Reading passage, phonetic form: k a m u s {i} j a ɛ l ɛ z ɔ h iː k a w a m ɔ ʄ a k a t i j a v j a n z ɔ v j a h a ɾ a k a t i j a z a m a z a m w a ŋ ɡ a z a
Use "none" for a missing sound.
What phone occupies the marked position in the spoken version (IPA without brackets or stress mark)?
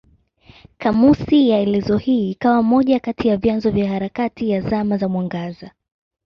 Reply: i